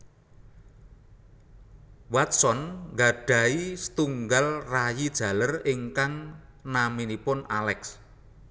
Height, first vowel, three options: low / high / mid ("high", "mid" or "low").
low